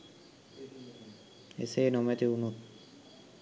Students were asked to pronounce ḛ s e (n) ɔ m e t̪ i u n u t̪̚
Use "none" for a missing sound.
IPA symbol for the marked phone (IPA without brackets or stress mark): n